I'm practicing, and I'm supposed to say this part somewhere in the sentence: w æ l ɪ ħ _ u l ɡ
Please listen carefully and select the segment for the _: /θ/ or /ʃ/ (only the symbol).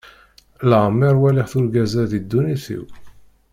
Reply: θ